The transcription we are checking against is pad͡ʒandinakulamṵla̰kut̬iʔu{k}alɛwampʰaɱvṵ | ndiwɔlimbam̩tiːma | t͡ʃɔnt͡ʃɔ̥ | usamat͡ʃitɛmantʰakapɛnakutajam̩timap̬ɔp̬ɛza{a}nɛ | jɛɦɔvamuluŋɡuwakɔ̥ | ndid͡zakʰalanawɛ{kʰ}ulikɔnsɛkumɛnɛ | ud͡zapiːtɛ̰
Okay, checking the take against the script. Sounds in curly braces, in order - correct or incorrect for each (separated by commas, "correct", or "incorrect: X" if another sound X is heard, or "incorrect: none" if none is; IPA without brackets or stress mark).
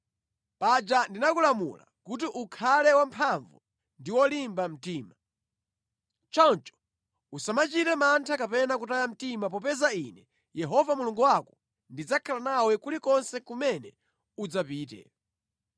incorrect: kʰ, incorrect: i, incorrect: k